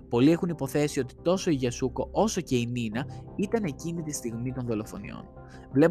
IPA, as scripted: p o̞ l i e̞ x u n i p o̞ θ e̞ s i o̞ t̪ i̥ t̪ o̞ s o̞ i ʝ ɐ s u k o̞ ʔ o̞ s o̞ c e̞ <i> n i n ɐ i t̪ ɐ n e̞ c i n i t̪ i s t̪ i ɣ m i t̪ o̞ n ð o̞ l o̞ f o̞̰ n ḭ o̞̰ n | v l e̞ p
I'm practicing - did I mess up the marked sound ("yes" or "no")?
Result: no